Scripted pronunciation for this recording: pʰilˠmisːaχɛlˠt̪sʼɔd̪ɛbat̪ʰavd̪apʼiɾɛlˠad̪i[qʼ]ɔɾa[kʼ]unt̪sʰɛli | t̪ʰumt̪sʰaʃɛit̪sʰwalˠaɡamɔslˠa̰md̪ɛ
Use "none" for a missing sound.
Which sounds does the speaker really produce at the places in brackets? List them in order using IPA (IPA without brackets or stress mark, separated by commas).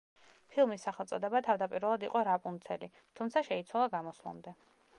qʼ, pʼ